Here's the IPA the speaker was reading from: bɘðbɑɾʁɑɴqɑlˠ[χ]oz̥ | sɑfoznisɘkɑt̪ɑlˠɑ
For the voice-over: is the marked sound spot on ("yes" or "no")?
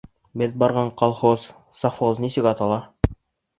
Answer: yes